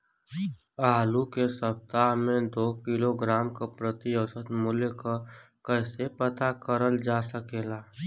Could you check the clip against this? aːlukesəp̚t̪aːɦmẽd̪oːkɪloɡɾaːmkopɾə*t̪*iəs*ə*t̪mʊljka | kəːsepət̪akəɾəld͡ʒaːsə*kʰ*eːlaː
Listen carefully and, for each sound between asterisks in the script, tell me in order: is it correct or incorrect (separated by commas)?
correct, correct, incorrect